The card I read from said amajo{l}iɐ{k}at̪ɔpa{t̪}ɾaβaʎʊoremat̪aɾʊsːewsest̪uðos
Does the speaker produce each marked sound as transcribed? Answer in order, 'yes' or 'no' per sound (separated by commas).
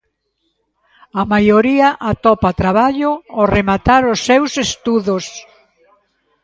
no, no, yes